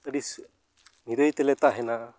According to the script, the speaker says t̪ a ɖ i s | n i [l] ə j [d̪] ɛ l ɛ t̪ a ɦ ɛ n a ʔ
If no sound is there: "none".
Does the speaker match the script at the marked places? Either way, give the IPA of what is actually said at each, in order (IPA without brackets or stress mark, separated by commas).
ɾ, t̪